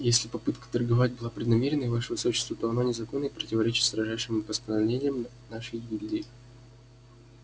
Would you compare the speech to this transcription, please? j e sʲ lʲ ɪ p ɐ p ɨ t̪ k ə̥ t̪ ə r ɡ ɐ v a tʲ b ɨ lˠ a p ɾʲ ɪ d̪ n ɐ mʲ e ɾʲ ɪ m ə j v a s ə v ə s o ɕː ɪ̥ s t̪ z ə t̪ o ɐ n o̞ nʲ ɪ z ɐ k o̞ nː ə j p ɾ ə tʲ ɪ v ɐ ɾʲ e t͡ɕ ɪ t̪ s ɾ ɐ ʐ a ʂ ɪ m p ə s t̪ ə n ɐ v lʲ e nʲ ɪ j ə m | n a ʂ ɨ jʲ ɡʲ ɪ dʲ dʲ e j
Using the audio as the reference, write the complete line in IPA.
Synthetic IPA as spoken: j e sʲ lʲ ɪ p ɐ p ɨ t̪ k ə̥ t̪ ə r ɡ ɐ v a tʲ b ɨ lˠ a p ɾʲ ɪ d̪ n ɐ mʲ e ɾʲ ɪ n ə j v a ʂ ə v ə s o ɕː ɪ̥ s t̪ v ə t̪ o ɐ n o̞ nʲ ɪ z ɐ k o̞ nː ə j p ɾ ə tʲ ɪ v ɐ ɾʲ e t͡ɕ ɪ t̪ s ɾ ɐ ʐ a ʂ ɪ m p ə s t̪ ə n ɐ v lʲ e nʲ ɪ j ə m | n a ʂ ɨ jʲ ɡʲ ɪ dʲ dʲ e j